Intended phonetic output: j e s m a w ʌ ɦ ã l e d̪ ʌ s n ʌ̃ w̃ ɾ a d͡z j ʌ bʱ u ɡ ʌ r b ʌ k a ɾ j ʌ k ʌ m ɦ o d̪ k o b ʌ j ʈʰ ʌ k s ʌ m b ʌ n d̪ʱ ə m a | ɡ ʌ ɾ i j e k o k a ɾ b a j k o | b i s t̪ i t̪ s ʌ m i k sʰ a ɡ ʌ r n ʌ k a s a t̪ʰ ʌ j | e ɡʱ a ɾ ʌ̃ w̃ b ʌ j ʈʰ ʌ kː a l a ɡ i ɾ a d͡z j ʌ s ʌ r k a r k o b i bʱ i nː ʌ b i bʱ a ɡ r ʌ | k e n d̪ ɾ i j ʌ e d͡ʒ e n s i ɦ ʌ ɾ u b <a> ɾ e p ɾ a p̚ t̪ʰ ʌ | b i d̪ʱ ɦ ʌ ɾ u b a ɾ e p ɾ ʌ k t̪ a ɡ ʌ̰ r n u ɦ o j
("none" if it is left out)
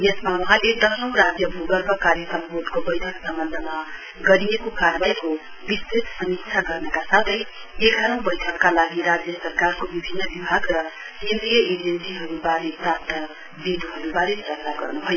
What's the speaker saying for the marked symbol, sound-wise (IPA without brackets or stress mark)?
a